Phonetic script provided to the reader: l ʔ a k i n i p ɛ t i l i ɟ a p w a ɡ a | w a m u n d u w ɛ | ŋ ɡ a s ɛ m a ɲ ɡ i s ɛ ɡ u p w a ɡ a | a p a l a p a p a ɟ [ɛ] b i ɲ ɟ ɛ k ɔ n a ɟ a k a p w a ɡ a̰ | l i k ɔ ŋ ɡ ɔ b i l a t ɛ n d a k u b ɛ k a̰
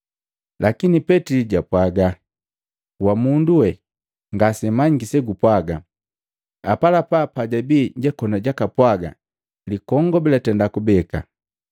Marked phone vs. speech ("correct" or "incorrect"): incorrect